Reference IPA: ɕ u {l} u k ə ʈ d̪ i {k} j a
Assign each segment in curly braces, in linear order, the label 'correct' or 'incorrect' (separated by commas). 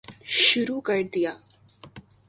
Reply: incorrect, incorrect